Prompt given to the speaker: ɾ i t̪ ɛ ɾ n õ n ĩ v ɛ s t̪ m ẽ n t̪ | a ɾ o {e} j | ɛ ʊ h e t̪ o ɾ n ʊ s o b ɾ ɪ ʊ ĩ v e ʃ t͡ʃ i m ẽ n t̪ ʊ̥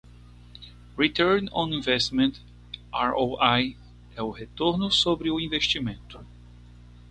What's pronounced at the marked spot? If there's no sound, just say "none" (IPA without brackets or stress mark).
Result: a